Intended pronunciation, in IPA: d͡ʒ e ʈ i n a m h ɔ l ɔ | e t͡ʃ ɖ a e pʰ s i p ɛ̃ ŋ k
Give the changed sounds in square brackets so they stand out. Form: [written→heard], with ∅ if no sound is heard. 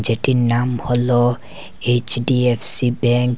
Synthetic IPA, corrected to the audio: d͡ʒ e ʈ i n a m h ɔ l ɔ | e t͡ʃ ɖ [a→i] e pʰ s i [p→b] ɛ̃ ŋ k